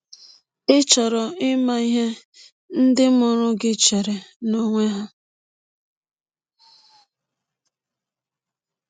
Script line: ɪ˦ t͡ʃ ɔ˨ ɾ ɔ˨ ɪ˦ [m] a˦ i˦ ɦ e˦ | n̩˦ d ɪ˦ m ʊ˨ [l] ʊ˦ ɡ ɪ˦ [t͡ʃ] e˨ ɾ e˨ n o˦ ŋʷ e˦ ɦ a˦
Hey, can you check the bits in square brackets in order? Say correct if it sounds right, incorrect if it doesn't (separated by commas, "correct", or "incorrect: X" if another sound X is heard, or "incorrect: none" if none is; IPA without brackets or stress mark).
correct, incorrect: ɾ, correct